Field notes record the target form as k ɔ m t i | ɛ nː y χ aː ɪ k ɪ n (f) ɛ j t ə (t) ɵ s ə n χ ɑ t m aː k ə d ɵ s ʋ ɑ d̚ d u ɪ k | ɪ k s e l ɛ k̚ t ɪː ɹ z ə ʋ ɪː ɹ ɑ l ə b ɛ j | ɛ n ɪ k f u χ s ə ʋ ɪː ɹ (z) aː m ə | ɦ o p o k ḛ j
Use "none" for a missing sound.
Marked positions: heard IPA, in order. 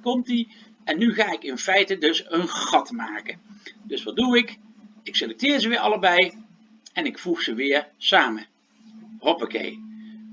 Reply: f, d, s

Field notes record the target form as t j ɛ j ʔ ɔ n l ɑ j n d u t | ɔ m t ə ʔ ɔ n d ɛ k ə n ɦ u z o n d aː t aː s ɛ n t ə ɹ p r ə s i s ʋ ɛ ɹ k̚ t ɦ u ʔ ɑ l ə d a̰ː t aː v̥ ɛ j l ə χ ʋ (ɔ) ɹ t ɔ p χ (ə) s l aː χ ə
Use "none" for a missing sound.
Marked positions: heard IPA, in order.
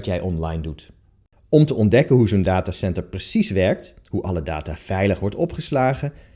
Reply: ɔ, ə

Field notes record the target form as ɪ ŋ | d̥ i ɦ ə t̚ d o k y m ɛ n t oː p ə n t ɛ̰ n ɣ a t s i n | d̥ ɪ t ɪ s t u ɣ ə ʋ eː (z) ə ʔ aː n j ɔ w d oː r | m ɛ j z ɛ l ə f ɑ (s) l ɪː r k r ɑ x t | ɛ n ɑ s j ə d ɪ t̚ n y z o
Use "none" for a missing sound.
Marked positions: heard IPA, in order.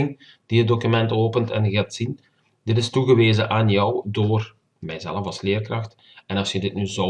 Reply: z, s

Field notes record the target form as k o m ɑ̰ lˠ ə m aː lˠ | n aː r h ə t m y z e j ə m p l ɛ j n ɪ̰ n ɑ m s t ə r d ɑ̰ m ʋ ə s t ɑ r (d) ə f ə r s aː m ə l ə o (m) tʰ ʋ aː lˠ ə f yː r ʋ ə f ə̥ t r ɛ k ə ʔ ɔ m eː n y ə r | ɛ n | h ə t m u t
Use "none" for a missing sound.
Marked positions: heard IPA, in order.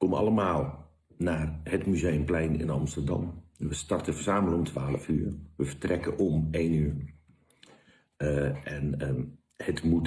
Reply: t, m

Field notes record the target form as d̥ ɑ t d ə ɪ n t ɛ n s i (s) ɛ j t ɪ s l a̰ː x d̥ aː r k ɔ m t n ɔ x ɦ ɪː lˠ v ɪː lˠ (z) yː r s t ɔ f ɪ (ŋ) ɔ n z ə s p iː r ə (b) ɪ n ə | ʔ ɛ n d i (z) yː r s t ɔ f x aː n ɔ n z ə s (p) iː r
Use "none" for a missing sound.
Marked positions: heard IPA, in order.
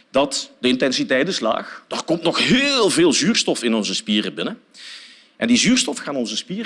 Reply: t, z, n, b, z, p

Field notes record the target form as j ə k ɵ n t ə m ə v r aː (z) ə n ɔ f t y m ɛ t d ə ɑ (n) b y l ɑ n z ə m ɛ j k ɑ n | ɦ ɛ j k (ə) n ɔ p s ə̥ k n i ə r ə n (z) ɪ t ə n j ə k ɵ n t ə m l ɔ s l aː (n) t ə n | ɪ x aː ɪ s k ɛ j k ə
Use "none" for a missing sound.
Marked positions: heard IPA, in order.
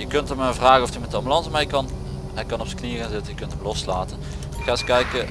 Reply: ɣ, m, ɑ, z, none

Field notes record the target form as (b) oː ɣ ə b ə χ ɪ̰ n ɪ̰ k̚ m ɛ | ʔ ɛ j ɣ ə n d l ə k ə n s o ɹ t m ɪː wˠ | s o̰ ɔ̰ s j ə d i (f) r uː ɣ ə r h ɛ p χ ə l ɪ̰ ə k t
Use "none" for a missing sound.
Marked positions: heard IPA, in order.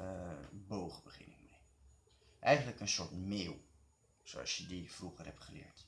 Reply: b, f

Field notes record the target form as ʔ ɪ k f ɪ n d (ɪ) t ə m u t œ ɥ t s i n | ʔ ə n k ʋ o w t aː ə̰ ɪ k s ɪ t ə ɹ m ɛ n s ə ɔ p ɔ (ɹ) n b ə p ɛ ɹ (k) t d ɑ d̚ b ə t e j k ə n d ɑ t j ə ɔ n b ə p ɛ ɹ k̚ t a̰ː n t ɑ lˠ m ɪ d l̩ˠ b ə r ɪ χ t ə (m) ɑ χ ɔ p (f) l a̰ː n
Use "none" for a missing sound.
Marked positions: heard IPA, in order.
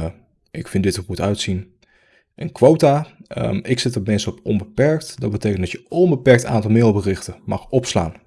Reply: ɪ, none, k, m, s

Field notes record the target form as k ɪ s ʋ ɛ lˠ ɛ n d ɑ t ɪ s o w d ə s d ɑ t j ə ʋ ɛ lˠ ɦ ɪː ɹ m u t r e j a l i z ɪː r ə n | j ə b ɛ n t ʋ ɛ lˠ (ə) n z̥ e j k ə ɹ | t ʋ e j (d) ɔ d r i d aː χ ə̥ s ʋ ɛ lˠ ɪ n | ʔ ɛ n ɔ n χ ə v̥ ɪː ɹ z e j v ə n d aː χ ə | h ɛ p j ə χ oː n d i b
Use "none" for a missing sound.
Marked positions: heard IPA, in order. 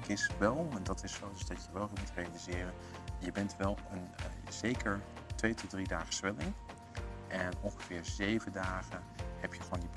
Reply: ə, t

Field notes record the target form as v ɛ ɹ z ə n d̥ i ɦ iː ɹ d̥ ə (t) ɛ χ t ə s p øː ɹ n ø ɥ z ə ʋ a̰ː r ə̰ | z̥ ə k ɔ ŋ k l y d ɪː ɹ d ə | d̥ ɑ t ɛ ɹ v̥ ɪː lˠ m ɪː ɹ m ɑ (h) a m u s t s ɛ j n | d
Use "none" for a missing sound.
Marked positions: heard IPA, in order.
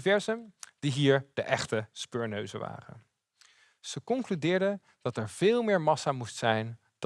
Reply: ʔ, s

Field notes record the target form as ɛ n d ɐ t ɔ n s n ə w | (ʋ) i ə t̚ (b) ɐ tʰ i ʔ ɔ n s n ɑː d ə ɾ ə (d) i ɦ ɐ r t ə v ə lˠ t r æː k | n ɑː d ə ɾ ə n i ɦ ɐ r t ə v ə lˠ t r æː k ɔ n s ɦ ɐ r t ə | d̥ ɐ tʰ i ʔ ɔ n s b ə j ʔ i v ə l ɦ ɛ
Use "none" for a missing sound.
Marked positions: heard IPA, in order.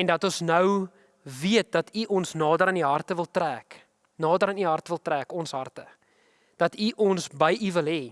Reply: v, d, n

